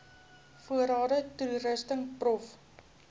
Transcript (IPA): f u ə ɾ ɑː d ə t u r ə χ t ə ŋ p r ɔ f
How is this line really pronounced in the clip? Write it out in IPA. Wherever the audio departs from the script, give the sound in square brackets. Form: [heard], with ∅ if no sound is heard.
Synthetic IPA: f u ə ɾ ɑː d ə t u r ə [s] t ə ŋ p r ɔ f

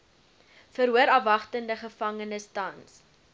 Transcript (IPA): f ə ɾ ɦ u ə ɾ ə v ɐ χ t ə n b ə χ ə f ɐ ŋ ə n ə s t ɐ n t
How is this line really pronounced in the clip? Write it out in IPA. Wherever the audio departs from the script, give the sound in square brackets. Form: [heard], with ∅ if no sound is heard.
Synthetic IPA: f ə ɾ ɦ u ə ɾ [ɐ] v ɐ χ t ə n [d] ə χ ə f ɐ ŋ ə n ə s t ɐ n [s]

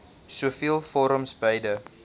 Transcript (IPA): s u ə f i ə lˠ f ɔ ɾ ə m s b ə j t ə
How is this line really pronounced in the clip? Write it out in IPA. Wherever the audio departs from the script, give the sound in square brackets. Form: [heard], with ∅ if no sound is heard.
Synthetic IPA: s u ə f i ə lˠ f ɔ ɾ ə m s b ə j [d] ə

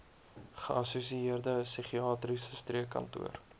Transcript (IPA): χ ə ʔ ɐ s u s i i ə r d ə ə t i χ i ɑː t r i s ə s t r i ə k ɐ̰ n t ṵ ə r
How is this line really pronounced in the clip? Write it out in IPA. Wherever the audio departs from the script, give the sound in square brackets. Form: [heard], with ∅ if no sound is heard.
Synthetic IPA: χ ə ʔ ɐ s u s i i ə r d ə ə [s] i χ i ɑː t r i s ə s t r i ə k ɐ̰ n t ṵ ə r

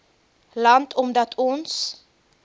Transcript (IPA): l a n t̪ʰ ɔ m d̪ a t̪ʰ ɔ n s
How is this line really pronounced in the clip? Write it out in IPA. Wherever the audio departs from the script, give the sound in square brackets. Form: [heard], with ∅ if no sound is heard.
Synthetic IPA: l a n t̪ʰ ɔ m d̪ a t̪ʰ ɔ n s

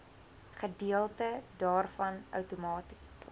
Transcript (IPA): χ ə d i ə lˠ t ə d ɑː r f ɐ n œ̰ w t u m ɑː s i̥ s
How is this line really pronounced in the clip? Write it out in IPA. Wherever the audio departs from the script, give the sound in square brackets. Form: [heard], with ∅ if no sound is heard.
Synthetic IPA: χ ə d i ə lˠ t ə d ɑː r f ɐ n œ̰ w t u m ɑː [t] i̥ s

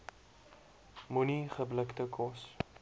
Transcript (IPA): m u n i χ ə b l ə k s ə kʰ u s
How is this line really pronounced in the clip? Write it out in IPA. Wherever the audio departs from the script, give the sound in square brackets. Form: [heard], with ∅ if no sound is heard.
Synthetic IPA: m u n i χ ə b l ə k [t] ə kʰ [ɔ] s

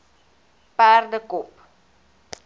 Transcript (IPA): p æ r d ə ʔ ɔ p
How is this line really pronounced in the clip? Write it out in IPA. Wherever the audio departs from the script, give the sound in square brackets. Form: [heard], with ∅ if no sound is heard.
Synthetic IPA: p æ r d ə [k] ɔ p

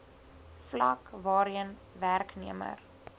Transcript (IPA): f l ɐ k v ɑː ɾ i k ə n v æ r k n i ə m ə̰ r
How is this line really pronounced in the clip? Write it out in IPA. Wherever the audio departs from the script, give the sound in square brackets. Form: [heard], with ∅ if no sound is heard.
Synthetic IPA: f l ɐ k v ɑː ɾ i [∅] ə n v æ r k n i ə m ə̰ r

